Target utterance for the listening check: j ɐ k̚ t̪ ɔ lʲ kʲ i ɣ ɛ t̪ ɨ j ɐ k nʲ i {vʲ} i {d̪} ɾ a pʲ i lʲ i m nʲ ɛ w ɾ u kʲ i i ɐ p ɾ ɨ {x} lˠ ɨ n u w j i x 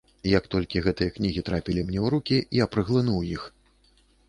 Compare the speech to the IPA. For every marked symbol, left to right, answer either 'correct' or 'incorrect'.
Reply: incorrect: ɣʲ, incorrect: t̪, incorrect: ɣ

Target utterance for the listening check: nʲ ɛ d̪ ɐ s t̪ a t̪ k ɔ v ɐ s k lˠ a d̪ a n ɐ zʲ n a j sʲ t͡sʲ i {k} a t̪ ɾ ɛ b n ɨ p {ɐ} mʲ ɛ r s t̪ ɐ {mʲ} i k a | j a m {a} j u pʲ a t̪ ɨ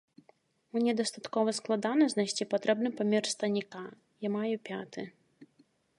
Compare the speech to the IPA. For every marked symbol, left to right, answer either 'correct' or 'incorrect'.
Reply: incorrect: p, incorrect: a, incorrect: nʲ, correct

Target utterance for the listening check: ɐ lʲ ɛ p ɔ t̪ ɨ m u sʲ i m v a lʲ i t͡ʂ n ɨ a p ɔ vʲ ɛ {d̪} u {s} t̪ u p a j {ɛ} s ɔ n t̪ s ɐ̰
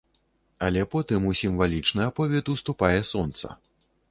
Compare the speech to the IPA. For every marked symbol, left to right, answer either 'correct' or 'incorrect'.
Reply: incorrect: t̪, correct, correct

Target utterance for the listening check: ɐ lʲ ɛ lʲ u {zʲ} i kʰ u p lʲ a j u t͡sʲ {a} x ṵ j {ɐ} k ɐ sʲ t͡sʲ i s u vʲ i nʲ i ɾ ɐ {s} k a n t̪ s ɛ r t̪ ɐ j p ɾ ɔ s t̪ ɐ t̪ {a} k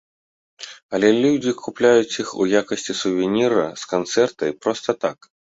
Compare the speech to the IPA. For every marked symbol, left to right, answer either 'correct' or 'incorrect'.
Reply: incorrect: d͡zʲ, incorrect: i, incorrect: a, correct, correct

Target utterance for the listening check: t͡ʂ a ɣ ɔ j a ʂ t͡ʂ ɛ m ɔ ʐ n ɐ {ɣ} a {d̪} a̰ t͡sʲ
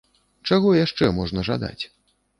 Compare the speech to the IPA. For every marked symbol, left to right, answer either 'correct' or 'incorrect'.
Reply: incorrect: ʐ, correct

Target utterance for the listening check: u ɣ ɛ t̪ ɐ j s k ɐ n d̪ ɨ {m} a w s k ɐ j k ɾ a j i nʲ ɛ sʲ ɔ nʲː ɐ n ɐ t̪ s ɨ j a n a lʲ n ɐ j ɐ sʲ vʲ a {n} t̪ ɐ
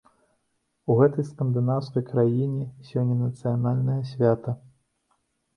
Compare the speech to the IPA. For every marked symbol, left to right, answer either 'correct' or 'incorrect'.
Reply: incorrect: n, incorrect: none

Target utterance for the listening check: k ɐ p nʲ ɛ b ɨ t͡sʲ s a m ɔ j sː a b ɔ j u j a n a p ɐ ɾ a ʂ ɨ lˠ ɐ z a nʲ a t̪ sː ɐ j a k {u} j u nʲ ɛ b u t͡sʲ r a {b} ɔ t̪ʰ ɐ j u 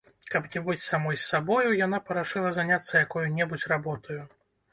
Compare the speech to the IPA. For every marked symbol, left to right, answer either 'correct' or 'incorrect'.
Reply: incorrect: ɔ, correct

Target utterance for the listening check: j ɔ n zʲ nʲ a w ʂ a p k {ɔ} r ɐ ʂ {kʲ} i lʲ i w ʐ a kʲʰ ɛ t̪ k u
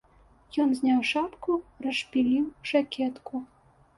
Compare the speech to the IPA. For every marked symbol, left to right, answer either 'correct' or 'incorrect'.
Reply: incorrect: u, incorrect: pʲ

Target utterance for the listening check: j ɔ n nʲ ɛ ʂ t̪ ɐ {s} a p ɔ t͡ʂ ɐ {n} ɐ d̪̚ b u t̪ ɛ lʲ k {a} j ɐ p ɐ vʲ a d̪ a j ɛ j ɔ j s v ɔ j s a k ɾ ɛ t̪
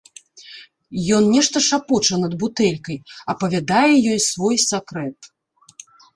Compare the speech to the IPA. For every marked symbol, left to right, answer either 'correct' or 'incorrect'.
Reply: incorrect: ʂ, correct, incorrect: ɐ

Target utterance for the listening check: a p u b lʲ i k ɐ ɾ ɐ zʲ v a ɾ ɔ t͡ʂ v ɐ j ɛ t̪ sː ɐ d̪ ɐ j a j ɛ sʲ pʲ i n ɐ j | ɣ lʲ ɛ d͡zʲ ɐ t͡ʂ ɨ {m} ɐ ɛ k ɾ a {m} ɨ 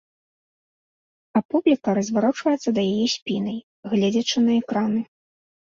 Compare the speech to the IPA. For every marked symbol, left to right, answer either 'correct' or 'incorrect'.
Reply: incorrect: n, incorrect: n

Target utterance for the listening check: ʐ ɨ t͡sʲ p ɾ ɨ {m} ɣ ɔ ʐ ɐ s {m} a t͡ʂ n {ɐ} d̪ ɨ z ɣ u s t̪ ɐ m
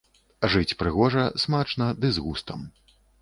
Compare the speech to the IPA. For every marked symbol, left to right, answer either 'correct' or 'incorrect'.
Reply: incorrect: none, correct, correct

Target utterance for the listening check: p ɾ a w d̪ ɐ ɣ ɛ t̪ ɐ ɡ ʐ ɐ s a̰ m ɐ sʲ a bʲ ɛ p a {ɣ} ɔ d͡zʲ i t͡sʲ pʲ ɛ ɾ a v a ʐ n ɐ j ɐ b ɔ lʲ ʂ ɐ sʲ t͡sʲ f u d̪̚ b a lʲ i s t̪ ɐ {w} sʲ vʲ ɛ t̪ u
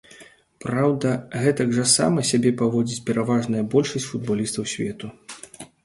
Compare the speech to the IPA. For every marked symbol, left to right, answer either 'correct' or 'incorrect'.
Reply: incorrect: v, correct

